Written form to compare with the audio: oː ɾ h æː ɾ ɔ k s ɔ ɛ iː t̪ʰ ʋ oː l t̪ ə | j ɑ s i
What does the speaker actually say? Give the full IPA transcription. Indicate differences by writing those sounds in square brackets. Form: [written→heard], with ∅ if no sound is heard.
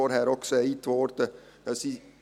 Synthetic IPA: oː ɾ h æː ɾ ɔ k s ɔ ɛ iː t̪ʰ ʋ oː [l→ɾ] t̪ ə | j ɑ s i